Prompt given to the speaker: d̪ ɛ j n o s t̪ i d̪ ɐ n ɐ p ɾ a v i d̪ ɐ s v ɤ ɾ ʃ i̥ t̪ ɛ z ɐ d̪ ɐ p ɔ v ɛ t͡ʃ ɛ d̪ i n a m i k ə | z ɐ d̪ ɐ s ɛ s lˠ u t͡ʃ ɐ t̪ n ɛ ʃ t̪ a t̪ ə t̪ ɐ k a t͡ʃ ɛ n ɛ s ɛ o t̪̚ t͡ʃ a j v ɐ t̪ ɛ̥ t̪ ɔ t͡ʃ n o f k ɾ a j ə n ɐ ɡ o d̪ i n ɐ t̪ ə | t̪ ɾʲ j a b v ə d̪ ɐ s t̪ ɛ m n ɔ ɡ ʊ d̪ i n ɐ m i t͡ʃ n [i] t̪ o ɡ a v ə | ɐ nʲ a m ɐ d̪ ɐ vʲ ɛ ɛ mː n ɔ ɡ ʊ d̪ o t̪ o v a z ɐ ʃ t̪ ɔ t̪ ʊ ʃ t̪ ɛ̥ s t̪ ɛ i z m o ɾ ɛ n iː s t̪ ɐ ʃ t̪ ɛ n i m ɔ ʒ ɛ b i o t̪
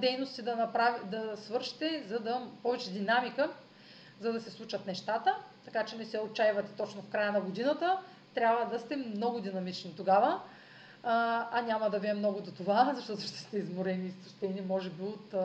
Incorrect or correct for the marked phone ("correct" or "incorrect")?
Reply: correct